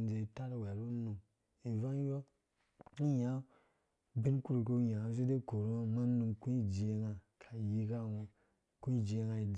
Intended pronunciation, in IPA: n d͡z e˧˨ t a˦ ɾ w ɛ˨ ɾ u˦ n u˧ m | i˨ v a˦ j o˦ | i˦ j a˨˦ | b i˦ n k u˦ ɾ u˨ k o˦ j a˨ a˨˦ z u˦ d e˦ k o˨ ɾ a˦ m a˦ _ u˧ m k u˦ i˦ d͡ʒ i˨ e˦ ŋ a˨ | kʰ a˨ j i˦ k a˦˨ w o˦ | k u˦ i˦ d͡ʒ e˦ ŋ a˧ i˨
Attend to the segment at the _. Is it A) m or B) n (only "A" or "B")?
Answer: B